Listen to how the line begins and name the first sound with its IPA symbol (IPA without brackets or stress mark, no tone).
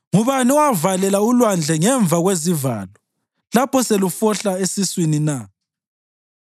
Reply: ŋ